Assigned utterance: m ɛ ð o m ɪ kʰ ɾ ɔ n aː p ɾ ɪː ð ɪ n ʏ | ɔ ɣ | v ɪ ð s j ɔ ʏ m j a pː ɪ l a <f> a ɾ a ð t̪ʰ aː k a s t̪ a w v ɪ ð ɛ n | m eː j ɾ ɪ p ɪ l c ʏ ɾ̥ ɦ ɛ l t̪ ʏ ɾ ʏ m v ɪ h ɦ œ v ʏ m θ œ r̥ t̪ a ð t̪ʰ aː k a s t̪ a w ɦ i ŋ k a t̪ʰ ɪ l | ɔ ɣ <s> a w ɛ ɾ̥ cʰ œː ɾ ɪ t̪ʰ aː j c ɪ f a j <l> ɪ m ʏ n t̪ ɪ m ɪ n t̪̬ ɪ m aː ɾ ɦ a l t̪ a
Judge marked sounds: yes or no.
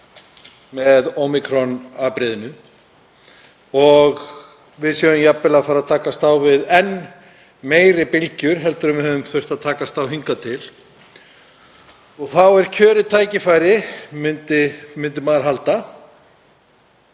yes, no, no

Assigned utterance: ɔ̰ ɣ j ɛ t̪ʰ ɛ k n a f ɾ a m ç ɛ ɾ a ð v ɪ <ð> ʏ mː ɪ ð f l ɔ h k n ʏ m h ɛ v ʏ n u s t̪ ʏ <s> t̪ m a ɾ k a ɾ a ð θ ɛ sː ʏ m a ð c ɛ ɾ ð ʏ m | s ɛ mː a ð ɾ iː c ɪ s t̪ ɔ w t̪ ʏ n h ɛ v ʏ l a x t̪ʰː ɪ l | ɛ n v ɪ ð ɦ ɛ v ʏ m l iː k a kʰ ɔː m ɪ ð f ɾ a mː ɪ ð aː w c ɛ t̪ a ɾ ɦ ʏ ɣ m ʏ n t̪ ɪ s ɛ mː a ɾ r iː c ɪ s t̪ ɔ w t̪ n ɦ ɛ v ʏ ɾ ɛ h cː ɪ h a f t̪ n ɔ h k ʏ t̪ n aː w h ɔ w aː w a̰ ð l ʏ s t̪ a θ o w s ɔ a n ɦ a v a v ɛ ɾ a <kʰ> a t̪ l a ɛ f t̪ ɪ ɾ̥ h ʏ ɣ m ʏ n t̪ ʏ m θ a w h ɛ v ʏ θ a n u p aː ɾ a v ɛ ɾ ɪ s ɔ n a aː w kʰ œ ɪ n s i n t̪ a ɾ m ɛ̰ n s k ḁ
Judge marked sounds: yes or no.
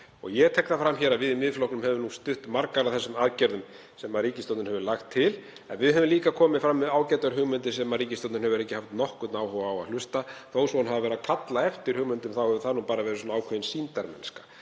yes, no, yes

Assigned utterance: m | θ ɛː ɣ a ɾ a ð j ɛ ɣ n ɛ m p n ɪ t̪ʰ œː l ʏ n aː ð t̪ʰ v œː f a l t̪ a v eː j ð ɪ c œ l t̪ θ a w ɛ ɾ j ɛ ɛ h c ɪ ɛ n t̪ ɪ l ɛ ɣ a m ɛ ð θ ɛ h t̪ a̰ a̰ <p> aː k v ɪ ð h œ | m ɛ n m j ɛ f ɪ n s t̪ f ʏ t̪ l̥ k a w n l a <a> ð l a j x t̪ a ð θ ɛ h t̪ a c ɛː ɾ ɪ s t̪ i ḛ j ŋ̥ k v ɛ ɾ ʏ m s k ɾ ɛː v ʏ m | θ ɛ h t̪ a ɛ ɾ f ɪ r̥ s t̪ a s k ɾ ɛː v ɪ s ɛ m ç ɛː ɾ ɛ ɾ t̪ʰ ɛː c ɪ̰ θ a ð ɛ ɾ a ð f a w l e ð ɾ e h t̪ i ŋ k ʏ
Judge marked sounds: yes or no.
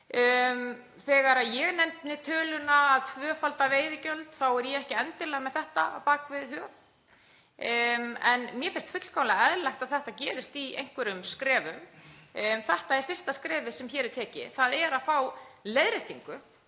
yes, no

